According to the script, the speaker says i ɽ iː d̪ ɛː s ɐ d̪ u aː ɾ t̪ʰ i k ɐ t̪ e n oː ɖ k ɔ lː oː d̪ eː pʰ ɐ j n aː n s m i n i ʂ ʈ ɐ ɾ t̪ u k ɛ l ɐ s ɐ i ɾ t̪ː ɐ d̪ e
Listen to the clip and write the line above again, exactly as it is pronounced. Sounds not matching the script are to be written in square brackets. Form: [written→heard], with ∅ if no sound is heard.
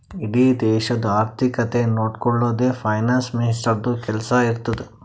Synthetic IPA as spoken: i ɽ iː d̪ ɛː [s→ʃ] ɐ d̪ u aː ɾ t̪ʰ i k ɐ t̪ e n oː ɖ k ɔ [lː→ɭː] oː d̪ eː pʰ ɐ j n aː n s m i n i [ʂ→s] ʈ ɐ ɾ [t̪→d̪] u k ɛ l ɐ s ɐ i ɾ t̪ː ɐ d̪ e

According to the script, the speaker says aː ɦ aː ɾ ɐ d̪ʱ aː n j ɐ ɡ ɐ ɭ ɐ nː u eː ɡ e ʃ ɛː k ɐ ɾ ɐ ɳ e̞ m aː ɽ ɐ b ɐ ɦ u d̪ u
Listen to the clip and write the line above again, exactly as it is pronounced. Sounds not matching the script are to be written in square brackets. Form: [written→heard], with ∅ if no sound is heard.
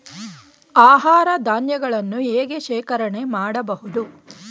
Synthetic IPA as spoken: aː ɦ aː ɾ ɐ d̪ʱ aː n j ɐ ɡ ɐ ɭ ɐ nː u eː ɡ e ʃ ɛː k ɐ ɾ ɐ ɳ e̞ m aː ɽ ɐ b ɐ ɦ u d̪ u

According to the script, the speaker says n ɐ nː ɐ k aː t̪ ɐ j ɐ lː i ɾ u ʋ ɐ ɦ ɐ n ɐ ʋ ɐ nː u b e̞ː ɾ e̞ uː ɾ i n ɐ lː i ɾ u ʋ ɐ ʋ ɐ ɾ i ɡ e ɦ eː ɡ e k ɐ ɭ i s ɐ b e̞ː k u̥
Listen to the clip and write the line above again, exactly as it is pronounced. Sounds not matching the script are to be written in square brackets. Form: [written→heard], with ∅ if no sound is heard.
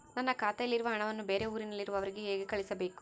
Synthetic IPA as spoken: n ɐ nː ɐ k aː t̪ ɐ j ɐ lː i ɾ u ʋ ɐ ɦ ɐ [n→ɳ] ɐ ʋ ɐ nː u b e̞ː ɾ e̞ uː ɾ i n ɐ lː i ɾ u ʋ ɐ ʋ ɐ ɾ i ɡ e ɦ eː ɡ e k ɐ ɭ i s ɐ b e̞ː k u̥

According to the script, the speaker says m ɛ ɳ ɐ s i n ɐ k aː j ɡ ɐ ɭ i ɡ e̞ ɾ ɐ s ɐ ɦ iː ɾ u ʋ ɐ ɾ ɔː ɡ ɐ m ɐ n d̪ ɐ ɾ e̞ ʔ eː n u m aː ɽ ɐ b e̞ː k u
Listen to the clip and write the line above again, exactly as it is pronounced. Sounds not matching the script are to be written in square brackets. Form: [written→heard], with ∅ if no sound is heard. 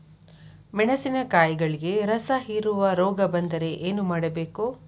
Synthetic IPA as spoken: m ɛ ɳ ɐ s i n ɐ k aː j ɡ ɐ ɭ i ɡ e̞ ɾ ɐ s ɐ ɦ iː ɾ u ʋ ɐ ɾ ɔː ɡ ɐ [m→b] ɐ n d̪ ɐ ɾ e̞ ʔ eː n u m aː ɽ ɐ b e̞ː k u

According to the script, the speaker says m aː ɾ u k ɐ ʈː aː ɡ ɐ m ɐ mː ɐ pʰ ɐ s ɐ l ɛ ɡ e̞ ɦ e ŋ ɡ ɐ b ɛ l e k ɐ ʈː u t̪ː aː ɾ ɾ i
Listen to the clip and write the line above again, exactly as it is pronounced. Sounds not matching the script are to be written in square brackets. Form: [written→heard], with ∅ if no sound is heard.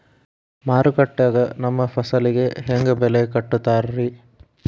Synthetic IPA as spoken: m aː ɾ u k ɐ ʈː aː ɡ ɐ [m→n] ɐ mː ɐ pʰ ɐ s ɐ l [ɛ→i] ɡ e̞ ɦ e ŋ ɡ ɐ b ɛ l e k ɐ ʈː u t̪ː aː ɾ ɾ i

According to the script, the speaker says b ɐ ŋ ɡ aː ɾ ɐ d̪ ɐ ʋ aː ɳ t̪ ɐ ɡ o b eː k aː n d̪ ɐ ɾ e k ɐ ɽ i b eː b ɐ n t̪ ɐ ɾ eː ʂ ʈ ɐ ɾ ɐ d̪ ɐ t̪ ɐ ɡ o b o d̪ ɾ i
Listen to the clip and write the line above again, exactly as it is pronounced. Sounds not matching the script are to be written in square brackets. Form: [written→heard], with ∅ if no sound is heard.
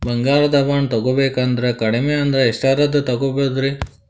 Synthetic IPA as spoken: b ɐ ŋ ɡ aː ɾ ɐ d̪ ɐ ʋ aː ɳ t̪ ɐ ɡ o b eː k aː n d̪ ɐ ɾ e k ɐ ɽ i [b→m] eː [b→∅] ɐ n [t̪→d̪] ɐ ɾ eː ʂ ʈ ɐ ɾ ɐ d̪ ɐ t̪ ɐ ɡ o b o d̪ ɾ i

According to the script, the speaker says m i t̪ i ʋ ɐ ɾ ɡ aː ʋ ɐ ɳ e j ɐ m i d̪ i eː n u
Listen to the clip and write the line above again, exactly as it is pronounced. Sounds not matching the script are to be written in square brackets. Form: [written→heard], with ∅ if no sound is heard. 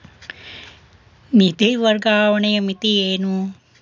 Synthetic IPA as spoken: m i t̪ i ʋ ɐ ɾ ɡ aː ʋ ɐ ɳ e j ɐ m i [d̪→t̪] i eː n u

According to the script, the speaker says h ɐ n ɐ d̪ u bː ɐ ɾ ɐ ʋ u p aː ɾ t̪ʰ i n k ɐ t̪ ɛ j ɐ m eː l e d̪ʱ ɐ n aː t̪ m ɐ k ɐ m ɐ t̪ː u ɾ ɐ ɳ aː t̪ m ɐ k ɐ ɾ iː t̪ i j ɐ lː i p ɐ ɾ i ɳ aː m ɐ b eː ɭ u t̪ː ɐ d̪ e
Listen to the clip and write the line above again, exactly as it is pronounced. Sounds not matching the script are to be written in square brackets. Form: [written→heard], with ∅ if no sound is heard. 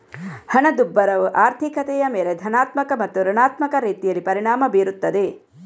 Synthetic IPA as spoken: h ɐ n ɐ d̪ u bː ɐ ɾ ɐ ʋ u [p→ʔ] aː ɾ t̪ʰ i [n→∅] k ɐ t̪ ɛ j ɐ m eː l e d̪ʱ ɐ n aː t̪ m ɐ k ɐ m ɐ t̪ː u ɾ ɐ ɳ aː t̪ m ɐ k ɐ ɾ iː t̪ i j ɐ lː i p ɐ ɾ i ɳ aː m ɐ b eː [ɭ→ɾ] u t̪ː ɐ d̪ e

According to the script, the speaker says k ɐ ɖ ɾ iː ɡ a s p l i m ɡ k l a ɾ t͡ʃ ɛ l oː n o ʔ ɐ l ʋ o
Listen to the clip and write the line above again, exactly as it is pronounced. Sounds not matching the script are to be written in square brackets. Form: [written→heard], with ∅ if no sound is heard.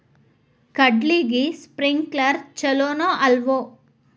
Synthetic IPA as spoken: k ɐ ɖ [ɾ→l] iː ɡ [a→i] s p [l→ɾ] i [m→ŋ] ɡ k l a ɾ t͡ʃ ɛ l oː n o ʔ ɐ l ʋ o

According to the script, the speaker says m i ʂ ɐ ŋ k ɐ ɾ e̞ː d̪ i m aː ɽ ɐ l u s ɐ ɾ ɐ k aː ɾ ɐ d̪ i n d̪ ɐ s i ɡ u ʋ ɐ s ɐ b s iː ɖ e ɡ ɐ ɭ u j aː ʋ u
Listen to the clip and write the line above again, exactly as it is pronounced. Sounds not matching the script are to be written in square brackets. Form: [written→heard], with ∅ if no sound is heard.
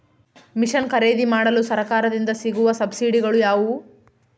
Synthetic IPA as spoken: m i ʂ ɐ [ŋ→n] k ɐ ɾ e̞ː d̪ i m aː ɽ ɐ l u s ɐ ɾ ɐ k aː ɾ ɐ d̪ i n d̪ ɐ s i ɡ u ʋ ɐ s ɐ b s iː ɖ [e→i] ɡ ɐ ɭ u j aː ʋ u

